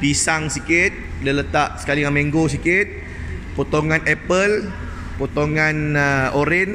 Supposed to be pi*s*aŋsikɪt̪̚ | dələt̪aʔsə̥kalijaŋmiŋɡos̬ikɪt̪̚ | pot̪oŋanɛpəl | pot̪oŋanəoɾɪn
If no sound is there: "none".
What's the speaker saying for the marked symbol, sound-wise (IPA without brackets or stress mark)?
s